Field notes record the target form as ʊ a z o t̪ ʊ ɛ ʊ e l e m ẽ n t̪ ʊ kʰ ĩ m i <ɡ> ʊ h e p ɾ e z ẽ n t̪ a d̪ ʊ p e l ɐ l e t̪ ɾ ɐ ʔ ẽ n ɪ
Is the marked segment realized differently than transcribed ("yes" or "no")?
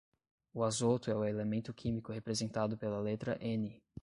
yes